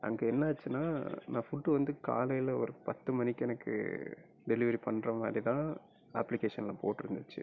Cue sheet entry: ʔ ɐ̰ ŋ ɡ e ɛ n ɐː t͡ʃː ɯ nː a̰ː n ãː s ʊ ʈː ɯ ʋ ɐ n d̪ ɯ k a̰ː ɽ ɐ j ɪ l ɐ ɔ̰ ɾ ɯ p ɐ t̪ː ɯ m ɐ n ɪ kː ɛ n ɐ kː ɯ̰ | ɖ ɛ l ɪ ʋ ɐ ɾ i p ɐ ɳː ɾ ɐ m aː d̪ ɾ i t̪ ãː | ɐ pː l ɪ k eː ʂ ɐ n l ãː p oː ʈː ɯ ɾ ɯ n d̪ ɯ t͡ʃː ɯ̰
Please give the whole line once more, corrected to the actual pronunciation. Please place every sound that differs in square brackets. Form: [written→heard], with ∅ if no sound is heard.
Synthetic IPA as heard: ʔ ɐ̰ ŋ ɡ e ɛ [n→nː] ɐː t͡ʃː ɯ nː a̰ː n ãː [s→f] ʊ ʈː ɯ ʋ ɐ n d̪ ɯ k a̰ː [ɽ→l] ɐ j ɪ l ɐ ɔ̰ ɾ ɯ p ɐ t̪ː ɯ m ɐ n ɪ kː ɛ n ɐ kː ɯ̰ | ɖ ɛ l ɪ ʋ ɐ ɾ i p ɐ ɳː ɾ ɐ m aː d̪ ɾ i t̪ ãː | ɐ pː l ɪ k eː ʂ ɐ n l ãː p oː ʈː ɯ ɾ ɯ n d̪ ɯ t͡ʃː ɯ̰